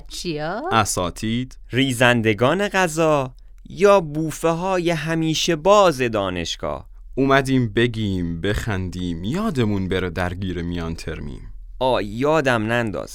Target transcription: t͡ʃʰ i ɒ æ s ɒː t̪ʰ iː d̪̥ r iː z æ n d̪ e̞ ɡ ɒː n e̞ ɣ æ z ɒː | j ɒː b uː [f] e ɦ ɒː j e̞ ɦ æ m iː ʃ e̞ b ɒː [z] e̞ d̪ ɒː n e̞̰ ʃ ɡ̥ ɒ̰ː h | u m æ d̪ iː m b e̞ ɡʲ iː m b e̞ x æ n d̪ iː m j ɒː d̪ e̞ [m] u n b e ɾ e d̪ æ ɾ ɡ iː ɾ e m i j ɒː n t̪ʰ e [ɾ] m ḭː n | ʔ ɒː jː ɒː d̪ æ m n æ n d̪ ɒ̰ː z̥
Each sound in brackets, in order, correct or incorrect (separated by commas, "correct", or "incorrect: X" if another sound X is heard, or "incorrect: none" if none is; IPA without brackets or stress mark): correct, correct, correct, correct